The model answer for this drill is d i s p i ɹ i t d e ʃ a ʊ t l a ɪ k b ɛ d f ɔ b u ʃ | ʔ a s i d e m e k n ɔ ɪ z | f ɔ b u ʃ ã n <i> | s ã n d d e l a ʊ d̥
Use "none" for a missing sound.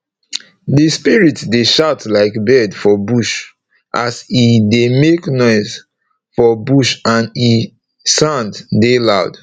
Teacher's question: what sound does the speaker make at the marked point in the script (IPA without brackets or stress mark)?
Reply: i